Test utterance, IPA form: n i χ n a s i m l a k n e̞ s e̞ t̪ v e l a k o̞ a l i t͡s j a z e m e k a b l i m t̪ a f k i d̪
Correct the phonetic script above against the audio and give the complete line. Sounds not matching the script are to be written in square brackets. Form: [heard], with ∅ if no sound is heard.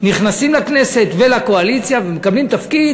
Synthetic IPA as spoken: n i χ n a s i m l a k n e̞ s e̞ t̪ v e l a k o̞ a l i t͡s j a [v] e m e k a b l i m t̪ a f k i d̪